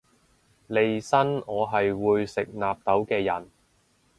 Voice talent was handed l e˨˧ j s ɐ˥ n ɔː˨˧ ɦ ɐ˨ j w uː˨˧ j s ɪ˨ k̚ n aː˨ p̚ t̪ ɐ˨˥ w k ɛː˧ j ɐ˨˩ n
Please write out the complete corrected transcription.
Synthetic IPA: l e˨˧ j s ɐ˥ n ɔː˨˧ ɦ ɐ˨ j w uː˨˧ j s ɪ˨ k̚ n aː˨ p̚ t̪ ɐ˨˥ w k ɛː˧ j ɐ˨˩ n